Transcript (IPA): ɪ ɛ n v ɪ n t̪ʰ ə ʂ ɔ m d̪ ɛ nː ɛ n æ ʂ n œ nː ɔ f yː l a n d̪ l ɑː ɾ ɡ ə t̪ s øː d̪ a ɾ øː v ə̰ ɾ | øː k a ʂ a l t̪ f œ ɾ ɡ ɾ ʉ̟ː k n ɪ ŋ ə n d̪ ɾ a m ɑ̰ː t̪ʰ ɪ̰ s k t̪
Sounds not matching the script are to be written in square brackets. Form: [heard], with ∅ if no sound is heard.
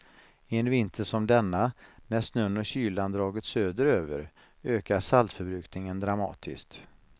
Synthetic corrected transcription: ɪ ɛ n v ɪ n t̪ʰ ə ʂ ɔ m d̪ ɛ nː [a] n æ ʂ n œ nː ɔ [ɕ] yː l a n d̪ [ɾ] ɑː [∅] ɡ ə t̪ s øː d̪ [ə] ɾ øː v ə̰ ɾ | øː k a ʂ a l t̪ f œ ɾ [b] ɾ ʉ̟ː k n ɪ ŋ ə n d̪ ɾ a m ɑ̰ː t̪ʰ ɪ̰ s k t̪